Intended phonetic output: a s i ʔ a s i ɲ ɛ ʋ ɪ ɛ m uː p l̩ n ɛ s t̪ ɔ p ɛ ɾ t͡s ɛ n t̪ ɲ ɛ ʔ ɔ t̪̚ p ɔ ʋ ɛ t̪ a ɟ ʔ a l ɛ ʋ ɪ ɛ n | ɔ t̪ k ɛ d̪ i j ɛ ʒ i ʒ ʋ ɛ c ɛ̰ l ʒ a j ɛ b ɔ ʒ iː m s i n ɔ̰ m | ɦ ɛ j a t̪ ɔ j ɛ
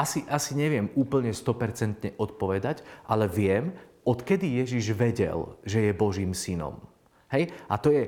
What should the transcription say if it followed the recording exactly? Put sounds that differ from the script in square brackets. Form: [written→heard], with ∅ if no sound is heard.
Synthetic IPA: a s i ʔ a s i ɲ ɛ ʋ ɪ ɛ m uː p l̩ [n→ɲ] ɛ s t̪ ɔ p ɛ ɾ t͡s ɛ n t̪ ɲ ɛ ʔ ɔ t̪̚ p ɔ ʋ ɛ [t̪→d̪] a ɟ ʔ a l ɛ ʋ ɪ ɛ [n→m] | ɔ t̪ k ɛ d̪ i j ɛ ʒ i ʒ ʋ ɛ [c→ɟ] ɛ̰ l ʒ [a→ɛ] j ɛ b ɔ ʒ iː m s i n ɔ̰ m | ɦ ɛ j a t̪ ɔ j ɛ